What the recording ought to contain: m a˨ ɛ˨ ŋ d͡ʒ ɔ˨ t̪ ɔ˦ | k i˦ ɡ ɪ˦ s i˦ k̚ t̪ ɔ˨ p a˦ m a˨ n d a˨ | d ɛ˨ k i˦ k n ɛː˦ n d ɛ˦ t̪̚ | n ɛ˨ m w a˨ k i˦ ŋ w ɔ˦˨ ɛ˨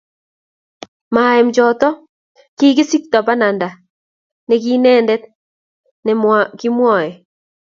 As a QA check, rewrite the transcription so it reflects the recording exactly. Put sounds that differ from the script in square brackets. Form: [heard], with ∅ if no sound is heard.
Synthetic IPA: m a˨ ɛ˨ [m] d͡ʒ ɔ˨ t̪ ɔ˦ | k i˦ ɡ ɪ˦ s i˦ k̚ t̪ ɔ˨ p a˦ [n] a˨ n d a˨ | [n] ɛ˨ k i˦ [∅] n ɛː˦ n d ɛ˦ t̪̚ | n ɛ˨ m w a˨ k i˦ [m] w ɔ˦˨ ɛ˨